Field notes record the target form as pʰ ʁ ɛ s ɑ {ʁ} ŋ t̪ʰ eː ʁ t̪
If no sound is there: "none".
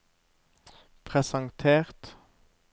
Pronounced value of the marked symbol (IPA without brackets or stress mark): none